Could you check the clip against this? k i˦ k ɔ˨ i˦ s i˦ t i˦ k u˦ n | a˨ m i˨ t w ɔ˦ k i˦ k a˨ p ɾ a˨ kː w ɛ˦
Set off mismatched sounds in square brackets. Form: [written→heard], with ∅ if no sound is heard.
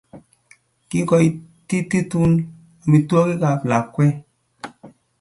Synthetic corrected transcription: k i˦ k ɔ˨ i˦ [s→t] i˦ t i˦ [k→t] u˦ n | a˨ m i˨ t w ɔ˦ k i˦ k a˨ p [ɾ→l] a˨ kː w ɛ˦